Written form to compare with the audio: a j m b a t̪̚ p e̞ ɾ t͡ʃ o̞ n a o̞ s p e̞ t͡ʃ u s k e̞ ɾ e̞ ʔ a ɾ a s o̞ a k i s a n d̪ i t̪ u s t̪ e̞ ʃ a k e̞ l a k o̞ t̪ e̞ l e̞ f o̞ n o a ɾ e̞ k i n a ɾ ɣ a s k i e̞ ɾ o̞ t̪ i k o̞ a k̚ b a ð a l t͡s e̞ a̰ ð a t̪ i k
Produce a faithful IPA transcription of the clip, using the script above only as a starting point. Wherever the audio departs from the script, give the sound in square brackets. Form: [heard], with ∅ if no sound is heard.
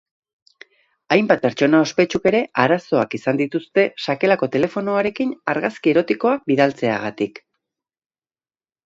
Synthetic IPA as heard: a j m b a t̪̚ p e̞ ɾ t͡ʃ o̞ n a o̞ s p e̞ t͡ʃ u [∅] k e̞ ɾ e̞ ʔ a ɾ a s o̞ a k i s a n d̪ i t̪ u s t̪ e̞ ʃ a k e̞ l a k o̞ t̪ e̞ l e̞ f o̞ n o a ɾ e̞ k i n a ɾ ɣ a s k i e̞ ɾ o̞ t̪ i k o̞ a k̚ b [i] ð a l t͡s e̞ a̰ [ɣ] a t̪ i k